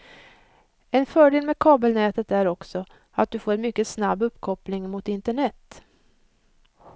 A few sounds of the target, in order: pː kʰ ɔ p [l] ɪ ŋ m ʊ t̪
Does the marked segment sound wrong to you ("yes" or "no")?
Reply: no